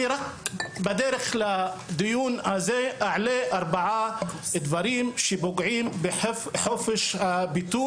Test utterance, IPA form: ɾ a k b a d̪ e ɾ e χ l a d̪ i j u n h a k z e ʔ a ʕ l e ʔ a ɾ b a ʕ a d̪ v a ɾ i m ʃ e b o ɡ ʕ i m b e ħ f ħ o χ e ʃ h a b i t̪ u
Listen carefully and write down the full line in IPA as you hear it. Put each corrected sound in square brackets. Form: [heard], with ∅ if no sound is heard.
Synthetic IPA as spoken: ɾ a k b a d̪ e ɾ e χ l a d̪ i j u n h a [∅] z e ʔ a ʕ l e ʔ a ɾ b a ʕ a d̪ v a ɾ i m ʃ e b o ɡ ʕ i m b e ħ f ħ o [f] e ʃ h a b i t̪ u